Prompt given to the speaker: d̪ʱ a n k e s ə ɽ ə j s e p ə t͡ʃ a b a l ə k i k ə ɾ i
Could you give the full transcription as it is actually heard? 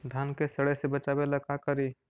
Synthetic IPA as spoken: d̪ʱ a n k e s ə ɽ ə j s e b ə t͡ʃ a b e l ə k a k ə ɾ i